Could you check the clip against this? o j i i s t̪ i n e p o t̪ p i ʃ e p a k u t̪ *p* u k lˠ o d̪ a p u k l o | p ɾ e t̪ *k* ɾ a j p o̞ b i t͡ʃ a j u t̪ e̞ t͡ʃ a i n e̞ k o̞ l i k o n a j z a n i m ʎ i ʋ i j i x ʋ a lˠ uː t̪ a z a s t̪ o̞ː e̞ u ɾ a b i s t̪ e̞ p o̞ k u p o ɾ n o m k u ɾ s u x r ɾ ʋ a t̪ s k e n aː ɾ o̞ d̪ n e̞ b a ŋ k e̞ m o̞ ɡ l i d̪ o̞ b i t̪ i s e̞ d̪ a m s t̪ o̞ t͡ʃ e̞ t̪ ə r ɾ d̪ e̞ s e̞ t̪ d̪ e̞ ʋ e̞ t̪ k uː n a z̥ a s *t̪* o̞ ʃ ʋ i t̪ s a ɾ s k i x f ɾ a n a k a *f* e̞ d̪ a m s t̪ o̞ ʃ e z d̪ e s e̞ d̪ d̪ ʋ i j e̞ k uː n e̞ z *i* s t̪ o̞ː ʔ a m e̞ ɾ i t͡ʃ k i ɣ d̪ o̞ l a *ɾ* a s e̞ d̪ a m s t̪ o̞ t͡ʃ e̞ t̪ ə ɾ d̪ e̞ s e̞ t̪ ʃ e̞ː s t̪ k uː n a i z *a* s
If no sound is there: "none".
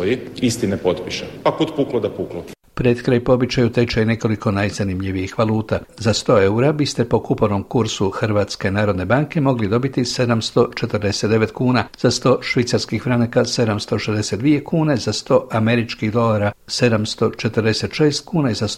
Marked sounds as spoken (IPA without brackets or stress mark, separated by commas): p, k, t̪, s, a, ɾ, a